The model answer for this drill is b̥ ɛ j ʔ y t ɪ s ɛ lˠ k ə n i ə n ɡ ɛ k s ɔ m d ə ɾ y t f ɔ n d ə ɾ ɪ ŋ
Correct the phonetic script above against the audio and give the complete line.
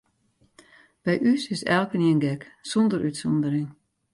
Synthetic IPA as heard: b̥ ɛ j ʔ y s ɪ s ɛ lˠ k ə n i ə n ɡ ɛ k s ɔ n d ə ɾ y t s ɔ n d ə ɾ ɪ ŋ